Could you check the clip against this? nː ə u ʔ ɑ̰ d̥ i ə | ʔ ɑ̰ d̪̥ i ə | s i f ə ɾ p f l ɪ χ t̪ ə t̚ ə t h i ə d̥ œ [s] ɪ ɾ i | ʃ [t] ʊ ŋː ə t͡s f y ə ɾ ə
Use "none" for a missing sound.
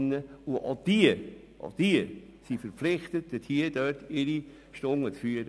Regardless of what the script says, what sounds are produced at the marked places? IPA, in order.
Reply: t, t

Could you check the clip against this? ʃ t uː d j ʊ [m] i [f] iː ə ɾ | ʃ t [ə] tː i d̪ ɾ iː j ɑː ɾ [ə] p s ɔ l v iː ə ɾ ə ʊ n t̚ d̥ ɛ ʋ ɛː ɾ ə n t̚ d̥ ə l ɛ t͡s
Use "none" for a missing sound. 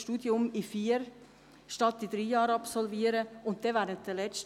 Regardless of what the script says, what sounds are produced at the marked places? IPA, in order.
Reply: m, f, ɑ, ɑ

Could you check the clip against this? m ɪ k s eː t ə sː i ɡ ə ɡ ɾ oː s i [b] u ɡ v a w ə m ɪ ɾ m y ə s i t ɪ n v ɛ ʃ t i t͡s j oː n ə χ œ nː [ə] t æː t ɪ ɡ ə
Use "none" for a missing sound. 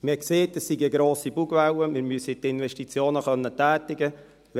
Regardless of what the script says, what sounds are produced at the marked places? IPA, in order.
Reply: b, ə

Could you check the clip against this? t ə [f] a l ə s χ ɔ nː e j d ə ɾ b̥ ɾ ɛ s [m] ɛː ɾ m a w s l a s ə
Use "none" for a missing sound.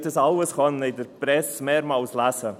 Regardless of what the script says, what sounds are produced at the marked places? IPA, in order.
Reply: s, m

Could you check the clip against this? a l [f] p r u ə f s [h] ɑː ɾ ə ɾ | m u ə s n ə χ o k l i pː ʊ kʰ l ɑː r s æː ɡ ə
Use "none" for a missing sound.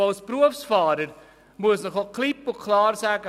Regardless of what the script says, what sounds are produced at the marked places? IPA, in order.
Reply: s, f

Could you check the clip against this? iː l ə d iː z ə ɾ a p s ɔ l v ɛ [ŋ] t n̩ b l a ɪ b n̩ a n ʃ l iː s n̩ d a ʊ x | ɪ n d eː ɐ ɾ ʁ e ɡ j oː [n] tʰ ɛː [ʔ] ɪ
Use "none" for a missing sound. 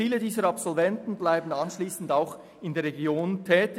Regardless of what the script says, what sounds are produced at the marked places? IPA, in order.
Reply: n, n, t

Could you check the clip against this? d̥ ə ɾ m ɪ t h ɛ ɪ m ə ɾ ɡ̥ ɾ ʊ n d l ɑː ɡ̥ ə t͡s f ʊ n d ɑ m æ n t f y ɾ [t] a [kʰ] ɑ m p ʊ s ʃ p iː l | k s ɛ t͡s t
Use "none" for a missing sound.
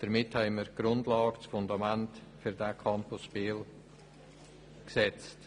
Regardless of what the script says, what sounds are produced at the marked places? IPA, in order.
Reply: d, kʰ

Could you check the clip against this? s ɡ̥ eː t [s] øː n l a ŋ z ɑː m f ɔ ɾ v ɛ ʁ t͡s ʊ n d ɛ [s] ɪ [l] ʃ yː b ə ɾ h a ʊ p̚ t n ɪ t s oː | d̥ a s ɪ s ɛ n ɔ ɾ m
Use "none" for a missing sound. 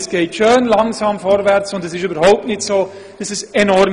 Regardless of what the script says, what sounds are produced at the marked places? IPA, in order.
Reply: ʃ, s, none

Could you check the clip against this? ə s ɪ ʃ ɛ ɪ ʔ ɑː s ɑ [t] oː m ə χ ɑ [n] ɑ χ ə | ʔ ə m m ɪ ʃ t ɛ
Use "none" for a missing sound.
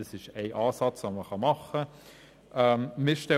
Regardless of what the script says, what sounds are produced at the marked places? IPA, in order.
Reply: t͡s, m

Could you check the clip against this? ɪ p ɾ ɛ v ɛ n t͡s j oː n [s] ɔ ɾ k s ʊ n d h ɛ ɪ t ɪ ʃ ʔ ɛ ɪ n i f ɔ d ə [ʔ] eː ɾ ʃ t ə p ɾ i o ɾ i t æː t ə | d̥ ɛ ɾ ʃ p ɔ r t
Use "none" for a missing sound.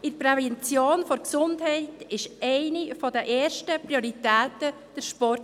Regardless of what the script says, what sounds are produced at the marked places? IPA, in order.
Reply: f, ʔ

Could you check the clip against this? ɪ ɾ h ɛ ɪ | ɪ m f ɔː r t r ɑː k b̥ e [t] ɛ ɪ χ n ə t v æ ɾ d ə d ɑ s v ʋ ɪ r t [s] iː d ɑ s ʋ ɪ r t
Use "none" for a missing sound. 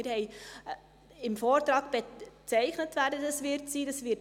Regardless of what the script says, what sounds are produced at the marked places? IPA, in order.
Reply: t͡s, s

